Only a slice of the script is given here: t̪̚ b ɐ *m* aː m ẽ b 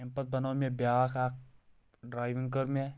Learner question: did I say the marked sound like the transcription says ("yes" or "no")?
no